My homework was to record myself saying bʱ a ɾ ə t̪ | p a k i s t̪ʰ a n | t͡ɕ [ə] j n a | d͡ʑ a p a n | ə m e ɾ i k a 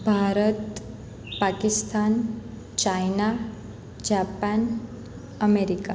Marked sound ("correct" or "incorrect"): incorrect